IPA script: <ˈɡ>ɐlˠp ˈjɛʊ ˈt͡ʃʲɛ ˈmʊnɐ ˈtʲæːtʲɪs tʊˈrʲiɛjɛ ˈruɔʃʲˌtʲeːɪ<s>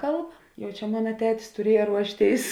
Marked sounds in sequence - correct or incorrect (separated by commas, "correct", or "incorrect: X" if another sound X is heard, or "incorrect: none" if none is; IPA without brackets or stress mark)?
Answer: incorrect: k, correct